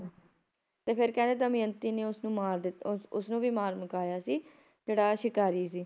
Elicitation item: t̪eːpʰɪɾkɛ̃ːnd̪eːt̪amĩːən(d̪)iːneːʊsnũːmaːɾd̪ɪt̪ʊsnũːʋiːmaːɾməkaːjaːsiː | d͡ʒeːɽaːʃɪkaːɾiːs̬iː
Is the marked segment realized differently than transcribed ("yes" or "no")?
yes